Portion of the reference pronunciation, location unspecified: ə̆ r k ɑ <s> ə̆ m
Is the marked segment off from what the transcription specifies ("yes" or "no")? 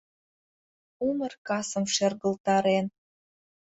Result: no